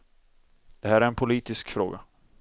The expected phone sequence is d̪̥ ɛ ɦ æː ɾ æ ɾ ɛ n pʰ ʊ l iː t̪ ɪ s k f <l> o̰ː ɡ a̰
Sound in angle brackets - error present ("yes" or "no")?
yes